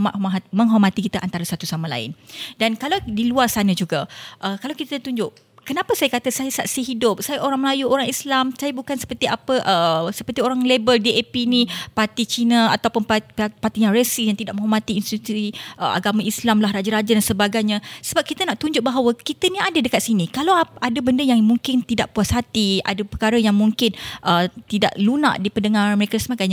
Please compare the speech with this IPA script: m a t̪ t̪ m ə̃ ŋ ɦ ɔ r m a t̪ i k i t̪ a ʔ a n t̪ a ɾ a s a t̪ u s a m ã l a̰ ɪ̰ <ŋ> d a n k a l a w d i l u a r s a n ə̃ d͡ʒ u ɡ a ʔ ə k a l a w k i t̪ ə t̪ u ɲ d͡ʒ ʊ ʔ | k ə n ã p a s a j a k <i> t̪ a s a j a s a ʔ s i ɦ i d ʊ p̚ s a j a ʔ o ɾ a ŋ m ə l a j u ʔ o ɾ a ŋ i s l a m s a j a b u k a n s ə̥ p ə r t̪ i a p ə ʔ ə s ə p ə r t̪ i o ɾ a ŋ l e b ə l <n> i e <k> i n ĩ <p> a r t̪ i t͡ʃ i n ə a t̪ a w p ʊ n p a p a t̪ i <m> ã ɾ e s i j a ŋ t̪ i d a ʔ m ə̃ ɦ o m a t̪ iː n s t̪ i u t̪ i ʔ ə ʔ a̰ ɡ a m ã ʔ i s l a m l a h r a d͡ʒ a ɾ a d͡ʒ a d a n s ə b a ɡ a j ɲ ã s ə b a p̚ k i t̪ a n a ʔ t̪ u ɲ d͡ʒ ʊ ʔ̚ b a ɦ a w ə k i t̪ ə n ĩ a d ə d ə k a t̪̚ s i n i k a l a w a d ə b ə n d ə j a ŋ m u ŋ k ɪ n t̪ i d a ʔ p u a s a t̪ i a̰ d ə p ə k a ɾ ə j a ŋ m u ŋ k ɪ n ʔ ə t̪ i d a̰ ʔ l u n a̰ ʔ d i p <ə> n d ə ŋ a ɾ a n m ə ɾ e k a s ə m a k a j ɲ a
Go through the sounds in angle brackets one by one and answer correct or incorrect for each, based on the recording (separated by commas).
incorrect, incorrect, incorrect, incorrect, correct, incorrect, correct